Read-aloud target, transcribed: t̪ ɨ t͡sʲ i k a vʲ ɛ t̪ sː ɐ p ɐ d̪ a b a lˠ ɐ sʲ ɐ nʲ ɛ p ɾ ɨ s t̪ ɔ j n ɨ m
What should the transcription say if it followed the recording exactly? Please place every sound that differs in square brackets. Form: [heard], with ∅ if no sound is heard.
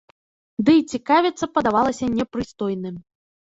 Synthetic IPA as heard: [d̪] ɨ t͡sʲ i k a vʲ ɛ t̪ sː ɐ p ɐ d̪ a [v] a lˠ ɐ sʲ ɐ nʲ ɛ p ɾ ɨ s t̪ ɔ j n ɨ m